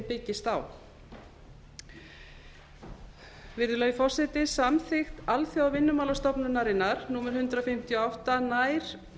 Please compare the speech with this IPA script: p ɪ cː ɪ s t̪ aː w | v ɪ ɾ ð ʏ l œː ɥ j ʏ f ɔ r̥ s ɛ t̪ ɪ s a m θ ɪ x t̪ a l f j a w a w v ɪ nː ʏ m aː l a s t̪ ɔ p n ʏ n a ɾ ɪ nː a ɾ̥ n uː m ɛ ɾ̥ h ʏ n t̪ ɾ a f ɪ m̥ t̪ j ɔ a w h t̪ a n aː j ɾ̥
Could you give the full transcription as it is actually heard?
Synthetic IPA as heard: p ɪ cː ɪ s t̪ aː w | v ɪ ɾ ð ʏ l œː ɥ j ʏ f ɔ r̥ s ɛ t̪ ɪ s a m θ ɪ x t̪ a l θ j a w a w v ɪ nː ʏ m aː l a s t̪ ɔ p n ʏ n a ɾ ɪ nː a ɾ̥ n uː m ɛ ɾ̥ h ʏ n t̪ ɾ a f ɪ m̥ t̪ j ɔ a w h t̪ a n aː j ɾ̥